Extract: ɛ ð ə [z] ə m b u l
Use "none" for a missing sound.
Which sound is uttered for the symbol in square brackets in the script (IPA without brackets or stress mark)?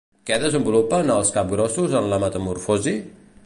z